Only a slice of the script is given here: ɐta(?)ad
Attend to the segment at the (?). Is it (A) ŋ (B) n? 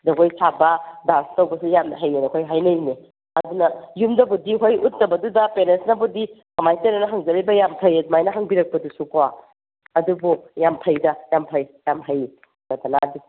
B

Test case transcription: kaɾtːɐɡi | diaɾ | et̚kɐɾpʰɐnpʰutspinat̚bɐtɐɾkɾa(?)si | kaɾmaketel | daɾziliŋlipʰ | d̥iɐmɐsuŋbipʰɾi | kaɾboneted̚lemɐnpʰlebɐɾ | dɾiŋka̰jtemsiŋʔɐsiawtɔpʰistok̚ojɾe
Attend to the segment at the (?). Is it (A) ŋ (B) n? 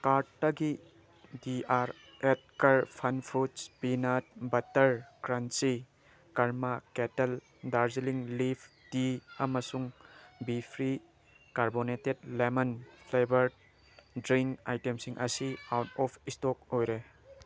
B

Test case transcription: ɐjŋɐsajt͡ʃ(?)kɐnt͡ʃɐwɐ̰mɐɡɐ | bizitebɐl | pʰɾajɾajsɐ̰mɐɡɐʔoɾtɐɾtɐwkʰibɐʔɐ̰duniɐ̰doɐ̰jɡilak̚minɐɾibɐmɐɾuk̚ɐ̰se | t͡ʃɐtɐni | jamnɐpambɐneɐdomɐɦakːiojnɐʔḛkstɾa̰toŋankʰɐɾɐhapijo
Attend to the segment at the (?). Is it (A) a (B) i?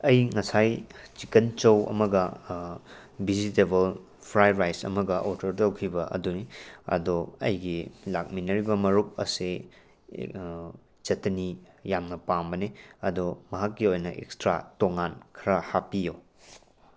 B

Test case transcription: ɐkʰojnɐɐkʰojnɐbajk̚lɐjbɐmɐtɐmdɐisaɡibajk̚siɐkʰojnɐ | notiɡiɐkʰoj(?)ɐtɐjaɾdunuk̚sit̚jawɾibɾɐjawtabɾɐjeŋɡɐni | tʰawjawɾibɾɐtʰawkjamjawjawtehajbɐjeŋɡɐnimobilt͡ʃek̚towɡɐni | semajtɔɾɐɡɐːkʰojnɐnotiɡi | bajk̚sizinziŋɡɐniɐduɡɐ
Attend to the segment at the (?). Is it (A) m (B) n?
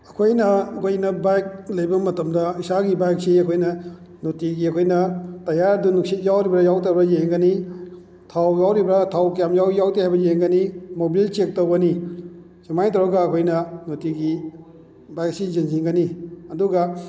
B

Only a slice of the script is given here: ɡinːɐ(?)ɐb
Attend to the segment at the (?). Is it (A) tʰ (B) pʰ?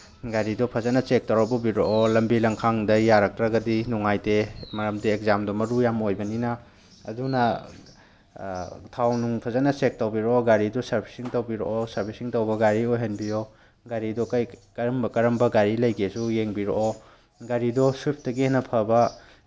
B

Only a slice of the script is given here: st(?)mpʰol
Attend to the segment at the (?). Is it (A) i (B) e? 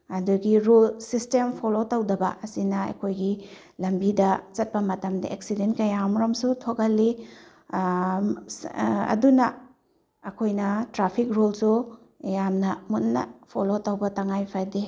B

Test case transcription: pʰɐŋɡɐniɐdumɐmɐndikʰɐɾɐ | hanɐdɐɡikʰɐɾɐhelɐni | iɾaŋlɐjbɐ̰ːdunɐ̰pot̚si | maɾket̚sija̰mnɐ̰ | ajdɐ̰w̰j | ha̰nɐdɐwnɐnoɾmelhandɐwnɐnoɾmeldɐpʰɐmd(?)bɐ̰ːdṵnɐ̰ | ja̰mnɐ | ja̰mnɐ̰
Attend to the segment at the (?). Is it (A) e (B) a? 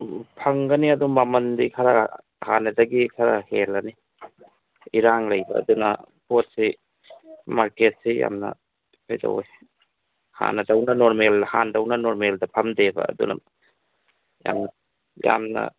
A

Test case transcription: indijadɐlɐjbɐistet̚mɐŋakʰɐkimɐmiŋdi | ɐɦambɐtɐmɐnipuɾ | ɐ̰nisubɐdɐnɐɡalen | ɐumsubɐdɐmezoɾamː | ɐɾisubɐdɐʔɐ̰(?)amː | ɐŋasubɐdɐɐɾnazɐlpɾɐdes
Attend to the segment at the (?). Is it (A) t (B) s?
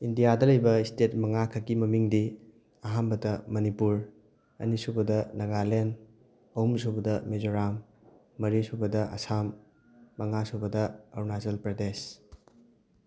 B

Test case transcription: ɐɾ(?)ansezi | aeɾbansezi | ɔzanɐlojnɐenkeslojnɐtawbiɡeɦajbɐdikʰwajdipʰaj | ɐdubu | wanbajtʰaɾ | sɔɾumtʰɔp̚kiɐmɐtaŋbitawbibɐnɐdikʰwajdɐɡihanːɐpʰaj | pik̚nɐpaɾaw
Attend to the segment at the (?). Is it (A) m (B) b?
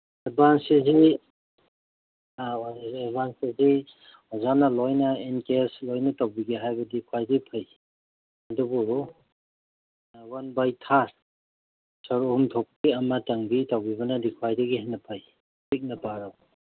B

